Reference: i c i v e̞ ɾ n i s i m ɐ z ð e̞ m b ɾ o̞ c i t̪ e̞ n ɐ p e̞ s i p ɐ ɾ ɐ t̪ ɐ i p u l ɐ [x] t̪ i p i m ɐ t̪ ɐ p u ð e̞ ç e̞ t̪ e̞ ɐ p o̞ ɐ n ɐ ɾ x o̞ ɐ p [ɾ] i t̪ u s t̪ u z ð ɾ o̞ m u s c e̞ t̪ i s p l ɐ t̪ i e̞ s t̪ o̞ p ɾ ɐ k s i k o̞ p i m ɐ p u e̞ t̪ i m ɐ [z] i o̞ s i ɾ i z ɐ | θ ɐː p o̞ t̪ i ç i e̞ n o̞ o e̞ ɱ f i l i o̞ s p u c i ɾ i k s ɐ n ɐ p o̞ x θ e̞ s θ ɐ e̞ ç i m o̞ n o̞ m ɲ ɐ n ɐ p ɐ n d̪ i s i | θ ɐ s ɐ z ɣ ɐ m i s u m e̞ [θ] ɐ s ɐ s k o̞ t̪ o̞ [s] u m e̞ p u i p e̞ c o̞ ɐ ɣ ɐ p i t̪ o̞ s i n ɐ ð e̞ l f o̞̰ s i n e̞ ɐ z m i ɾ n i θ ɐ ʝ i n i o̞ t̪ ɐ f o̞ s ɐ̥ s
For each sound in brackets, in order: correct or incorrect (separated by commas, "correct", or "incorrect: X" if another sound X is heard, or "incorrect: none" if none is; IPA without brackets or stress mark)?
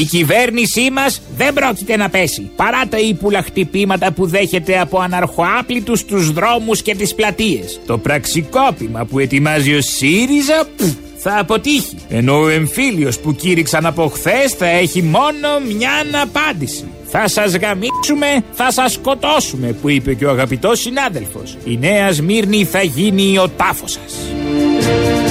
correct, incorrect: l, correct, correct, correct